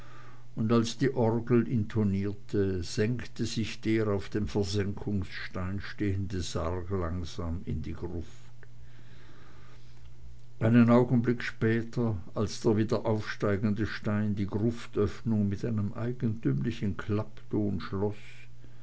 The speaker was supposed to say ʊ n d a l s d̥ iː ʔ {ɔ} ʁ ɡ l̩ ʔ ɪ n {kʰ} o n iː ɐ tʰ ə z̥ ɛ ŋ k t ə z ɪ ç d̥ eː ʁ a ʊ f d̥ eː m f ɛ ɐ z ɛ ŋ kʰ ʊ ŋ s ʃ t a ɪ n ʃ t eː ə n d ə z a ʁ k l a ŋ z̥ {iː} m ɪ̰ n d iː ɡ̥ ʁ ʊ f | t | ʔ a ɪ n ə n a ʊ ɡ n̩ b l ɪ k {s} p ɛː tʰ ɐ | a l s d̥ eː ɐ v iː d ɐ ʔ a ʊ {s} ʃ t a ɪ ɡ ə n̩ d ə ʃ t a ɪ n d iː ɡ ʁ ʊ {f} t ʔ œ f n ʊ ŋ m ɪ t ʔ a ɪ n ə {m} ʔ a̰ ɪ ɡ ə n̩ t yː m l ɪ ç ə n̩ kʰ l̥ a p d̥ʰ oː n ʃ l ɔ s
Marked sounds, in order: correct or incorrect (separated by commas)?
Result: correct, incorrect, incorrect, incorrect, incorrect, correct, correct